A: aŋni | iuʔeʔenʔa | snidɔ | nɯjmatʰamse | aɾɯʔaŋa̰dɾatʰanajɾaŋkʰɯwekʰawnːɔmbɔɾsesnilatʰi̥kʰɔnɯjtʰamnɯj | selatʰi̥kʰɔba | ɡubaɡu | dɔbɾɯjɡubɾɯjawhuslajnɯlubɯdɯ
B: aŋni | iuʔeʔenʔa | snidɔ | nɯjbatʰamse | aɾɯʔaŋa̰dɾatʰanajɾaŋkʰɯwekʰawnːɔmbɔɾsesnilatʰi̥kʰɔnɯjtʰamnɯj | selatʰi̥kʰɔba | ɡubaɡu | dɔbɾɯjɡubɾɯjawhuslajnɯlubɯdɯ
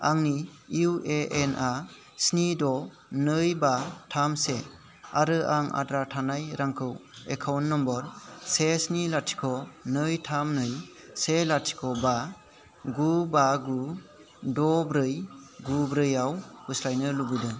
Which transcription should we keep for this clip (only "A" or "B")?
B